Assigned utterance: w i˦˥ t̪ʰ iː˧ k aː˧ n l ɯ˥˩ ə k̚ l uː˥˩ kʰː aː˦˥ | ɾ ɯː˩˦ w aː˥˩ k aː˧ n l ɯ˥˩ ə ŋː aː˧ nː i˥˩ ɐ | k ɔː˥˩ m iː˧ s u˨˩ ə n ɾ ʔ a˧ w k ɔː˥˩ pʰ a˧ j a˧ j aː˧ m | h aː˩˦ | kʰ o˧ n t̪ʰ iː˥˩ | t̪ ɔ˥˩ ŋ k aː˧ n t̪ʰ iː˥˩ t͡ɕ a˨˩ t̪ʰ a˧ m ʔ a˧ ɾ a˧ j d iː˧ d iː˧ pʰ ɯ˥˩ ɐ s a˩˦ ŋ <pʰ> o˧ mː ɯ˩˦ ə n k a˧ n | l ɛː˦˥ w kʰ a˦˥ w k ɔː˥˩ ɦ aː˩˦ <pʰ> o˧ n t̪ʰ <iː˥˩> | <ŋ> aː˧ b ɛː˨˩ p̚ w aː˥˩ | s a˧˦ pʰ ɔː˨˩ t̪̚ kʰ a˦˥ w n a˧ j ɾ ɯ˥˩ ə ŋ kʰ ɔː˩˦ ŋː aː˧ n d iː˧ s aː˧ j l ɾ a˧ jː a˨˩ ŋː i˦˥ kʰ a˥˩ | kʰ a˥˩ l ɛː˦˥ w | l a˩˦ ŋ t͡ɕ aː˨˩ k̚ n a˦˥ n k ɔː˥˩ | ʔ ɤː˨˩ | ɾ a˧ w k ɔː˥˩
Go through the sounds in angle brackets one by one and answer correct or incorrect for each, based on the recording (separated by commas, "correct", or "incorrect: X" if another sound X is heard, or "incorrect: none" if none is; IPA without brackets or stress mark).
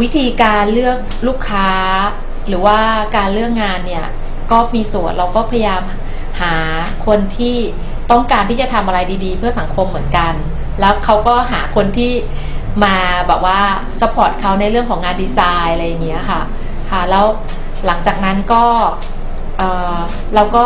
incorrect: kʰ, incorrect: kʰ, correct, incorrect: m